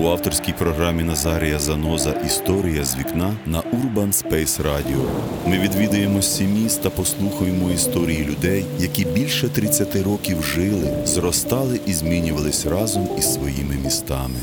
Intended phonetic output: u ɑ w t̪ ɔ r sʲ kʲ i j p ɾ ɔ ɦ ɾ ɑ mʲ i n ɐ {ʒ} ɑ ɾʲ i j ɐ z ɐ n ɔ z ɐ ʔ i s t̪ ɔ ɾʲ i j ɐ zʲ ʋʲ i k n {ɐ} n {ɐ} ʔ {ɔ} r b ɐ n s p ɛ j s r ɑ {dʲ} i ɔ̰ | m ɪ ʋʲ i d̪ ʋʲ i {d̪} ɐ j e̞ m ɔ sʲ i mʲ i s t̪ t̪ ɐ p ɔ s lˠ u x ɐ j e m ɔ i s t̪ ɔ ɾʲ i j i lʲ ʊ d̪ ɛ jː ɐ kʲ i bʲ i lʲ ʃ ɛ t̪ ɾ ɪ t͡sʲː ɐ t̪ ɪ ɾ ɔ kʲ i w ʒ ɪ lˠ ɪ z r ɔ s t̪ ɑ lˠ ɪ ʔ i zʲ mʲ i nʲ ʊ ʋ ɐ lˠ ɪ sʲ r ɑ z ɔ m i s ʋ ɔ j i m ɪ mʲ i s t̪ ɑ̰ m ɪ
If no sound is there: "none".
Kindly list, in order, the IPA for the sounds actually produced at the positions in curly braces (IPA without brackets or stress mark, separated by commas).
z, ɑ, ɐ, u, dʲ, d̪